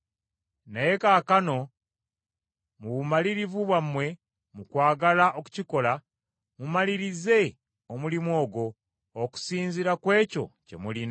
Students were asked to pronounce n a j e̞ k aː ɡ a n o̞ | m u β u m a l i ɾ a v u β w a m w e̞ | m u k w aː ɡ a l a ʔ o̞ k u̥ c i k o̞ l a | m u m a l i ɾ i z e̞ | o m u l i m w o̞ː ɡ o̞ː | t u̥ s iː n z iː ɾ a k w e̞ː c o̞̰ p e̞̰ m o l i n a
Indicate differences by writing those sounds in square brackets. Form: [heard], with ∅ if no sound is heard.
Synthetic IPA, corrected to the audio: n a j e̞ k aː [k] a n o̞ | m u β u m a l i ɾ [i] v u β w a m w e̞ | m u k w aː ɡ a l a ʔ o̞ k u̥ c i k o̞ l a | m u m a l i ɾ i z e̞ | o m u l i m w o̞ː ɡ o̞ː | [k] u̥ s iː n z [i] ɾ a k w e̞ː c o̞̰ [c] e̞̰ m [u] l i n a

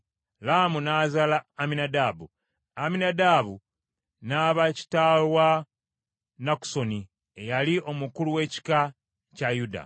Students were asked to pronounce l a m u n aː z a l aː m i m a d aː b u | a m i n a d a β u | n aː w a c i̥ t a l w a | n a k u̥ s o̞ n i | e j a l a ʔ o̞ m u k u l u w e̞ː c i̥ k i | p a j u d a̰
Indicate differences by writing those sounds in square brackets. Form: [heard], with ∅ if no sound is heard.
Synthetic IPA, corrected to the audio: l a m u n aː z a l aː m i [n] a d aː b u | a m i n a d a β u | n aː [β] a c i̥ t a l w a | n a k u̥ s o̞ n i | e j a l [i] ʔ o̞ m u k u l u w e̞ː c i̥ k [a] | [c] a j u d a̰

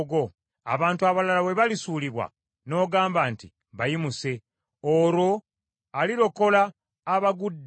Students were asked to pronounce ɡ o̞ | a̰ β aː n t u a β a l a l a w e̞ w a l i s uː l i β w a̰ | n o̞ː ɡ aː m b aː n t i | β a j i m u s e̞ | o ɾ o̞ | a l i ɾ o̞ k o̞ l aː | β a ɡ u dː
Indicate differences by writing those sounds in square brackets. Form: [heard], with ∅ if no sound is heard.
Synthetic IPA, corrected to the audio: ɡ o̞ | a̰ β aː n t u a β a l a l a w e̞ [β] a l i s uː l i β w a̰ | n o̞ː ɡ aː m b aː n t i | β a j i m u s e̞ | o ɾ o̞ | a l i ɾ o̞ k o̞ l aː | β a ɡ u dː

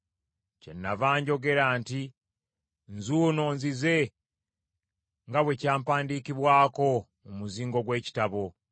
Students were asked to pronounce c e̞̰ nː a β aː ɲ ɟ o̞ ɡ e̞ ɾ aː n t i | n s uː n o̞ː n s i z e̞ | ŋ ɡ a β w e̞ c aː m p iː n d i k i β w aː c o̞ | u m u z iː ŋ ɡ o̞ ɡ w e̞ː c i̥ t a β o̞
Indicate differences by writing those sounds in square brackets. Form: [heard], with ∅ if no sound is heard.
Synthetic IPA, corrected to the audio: c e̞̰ nː a [v] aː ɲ ɟ o̞ ɡ e̞ ɾ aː n t i | n [z] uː n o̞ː n [z] i z e̞ | ŋ ɡ a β w e̞ c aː m p [aː] n d i k i β w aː [k] o̞ | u m u z iː ŋ ɡ o̞ ɡ w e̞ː c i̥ t a β o̞

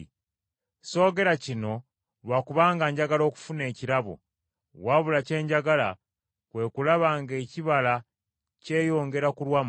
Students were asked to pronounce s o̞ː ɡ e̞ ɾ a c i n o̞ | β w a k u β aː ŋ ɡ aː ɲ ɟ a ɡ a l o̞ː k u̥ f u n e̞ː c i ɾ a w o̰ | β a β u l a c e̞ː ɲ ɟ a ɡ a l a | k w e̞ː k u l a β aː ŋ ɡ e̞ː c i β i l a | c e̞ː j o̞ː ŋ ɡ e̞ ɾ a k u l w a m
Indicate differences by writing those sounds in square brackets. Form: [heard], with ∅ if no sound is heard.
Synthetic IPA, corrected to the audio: s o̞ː ɡ e̞ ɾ a c i n o̞ | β w a k u β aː ŋ ɡ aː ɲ ɟ a ɡ a l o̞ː k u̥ f u n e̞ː c i ɾ a [β] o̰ | [w] a β u l a c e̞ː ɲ ɟ a ɡ a l a | k w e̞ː k u l a β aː ŋ ɡ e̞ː c i β [a] l a | c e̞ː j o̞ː ŋ ɡ e̞ ɾ a k u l w a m

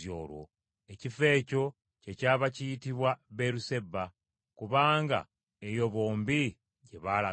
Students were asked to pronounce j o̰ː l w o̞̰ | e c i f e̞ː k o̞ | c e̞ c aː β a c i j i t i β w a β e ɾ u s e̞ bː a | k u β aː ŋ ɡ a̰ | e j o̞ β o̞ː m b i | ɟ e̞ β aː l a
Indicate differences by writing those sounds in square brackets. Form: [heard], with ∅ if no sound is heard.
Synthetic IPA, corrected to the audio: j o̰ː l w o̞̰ | e c i f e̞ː [c] o̞ | c e̞ c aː β a c i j i t i β w a β e ɾ u s e̞ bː a | k u β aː ŋ ɡ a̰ | e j o̞ β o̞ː m b i | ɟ e̞ β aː l a

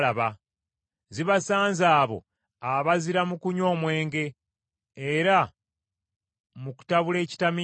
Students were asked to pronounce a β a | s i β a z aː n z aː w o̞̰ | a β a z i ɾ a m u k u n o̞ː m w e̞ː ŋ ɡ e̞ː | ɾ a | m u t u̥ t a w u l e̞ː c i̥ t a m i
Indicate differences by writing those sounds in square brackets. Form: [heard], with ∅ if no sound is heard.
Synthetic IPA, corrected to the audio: a β a | [z] i β a [s] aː n z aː [β] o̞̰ | a β a z i ɾ a m u k u [ɲ] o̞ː m w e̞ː ŋ ɡ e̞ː | ɾ a | m u [k] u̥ t a [β] u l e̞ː c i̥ t a m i

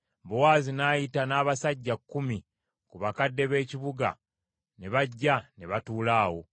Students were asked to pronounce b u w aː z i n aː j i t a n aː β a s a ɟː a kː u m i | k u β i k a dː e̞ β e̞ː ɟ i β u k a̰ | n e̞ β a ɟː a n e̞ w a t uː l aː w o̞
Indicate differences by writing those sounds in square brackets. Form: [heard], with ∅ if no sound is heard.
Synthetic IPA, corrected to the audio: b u w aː z i n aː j i t a n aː β a s a ɟː a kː u m i | k u β [a] k a dː e̞ β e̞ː [c] i β u [ɡ] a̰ | n e̞ β a ɟː a n e̞ [β] a t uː l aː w o̞

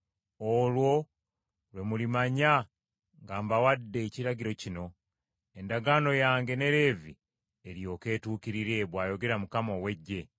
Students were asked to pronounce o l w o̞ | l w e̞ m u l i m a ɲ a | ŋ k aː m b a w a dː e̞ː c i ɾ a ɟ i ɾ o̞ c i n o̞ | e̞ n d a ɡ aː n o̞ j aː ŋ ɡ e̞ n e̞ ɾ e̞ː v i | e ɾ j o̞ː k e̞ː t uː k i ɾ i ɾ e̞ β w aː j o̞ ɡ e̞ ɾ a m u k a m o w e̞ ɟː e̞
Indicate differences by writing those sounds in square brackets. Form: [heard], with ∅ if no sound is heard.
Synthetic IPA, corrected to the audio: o l w o̞ | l w e̞ m u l i m a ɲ a | ŋ [ɡ] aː m b a w a dː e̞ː c i ɾ a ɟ i ɾ o̞ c i n o̞ | e̞ n d a ɡ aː n o̞ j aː ŋ ɡ e̞ n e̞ ɾ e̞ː v i | e ɾ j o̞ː k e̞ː t uː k i ɾ i ɾ e̞ β w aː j o̞ ɡ e̞ ɾ a m u k a m o w e̞ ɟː e̞

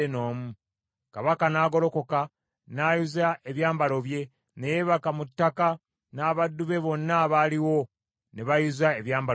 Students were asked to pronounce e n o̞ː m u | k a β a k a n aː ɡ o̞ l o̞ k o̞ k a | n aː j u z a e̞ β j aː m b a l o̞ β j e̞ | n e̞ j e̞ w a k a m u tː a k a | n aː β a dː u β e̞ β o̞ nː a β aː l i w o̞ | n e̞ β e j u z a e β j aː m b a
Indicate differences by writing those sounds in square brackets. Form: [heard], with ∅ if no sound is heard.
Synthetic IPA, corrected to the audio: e n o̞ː m u | k a β a k a n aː ɡ o̞ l o̞ k o̞ k a | n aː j u z a e̞ β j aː m b a l o̞ β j e̞ | n e̞ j e̞ [β] a k a m u tː a k a | n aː β a dː u β e̞ β o̞ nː a β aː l i w o̞ | n e̞ β [a] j u z a e β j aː m b a

